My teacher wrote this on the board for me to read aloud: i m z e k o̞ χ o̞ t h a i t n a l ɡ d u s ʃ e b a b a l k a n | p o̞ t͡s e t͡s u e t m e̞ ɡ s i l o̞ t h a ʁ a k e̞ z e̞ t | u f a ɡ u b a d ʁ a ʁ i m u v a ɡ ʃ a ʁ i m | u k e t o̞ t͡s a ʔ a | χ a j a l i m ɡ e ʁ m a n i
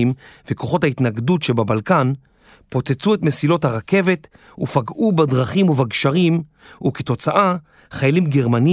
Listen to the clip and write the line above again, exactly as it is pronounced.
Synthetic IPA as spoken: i m v e k o̞ χ o̞ t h a i t n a ɡ d u t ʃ e b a b a l k a n | p o̞ t͡s e t͡s u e t m e̞ s i l o̞ t h a ʁ a k e̞ v e̞ t | u f a ɡ u b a d ʁ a χ i m u v a ɡ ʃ a ʁ i m | u k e t o̞ t͡s a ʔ a | χ a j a l i m ɡ e ʁ m a n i